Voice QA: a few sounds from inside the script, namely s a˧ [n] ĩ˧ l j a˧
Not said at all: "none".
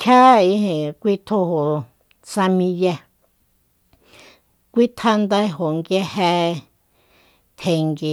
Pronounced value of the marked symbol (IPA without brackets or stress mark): m